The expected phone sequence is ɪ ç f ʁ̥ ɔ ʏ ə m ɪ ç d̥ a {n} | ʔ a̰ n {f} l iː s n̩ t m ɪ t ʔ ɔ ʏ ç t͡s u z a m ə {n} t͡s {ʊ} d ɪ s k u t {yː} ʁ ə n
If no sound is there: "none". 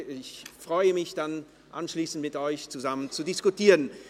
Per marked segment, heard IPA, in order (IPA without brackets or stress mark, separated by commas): n, ʃ, n, u, iː